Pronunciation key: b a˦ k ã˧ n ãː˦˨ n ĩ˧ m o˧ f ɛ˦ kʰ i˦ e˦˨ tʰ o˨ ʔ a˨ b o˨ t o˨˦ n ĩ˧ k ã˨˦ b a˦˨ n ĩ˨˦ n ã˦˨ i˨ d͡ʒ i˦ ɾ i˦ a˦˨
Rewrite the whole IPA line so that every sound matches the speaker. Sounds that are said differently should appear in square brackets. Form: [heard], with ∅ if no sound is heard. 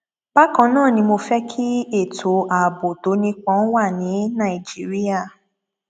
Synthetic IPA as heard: b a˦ k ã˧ n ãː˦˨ n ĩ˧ m o˧ f ɛ˦ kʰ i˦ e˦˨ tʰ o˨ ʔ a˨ b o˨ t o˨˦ n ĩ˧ [k͡p] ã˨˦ [w] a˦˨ n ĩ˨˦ n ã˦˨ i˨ d͡ʒ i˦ ɾ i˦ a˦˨